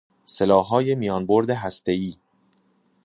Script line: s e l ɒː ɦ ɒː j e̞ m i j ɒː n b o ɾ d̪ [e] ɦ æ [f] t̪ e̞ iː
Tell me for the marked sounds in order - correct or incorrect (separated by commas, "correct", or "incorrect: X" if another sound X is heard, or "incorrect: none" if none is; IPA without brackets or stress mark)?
correct, incorrect: s